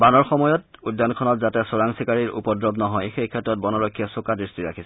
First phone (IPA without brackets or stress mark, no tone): b